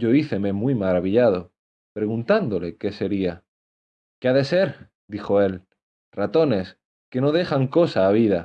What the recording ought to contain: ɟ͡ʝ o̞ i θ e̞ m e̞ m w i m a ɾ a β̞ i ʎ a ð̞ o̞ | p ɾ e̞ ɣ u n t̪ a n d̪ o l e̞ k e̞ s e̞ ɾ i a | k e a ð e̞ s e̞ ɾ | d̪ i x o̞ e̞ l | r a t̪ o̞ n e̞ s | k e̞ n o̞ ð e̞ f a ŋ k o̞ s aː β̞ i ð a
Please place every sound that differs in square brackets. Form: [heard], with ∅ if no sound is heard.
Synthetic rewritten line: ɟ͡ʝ o̞ i θ e̞ m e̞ m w i m a ɾ a β̞ i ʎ a ð̞ o̞ | p ɾ e̞ ɣ u n t̪ a n d̪ o l e̞ k e̞ s e̞ ɾ i a | k e a ð e̞ s e̞ ɾ | d̪ i x o̞ e̞ l | r a t̪ o̞ n e̞ s | k e̞ n o̞ ð e̞ [x] a ŋ k o̞ s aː β̞ i ð a